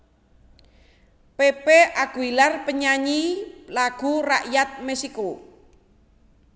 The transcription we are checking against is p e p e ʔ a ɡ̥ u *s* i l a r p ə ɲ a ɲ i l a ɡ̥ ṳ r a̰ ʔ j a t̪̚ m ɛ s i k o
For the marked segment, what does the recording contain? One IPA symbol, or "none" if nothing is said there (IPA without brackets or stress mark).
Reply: none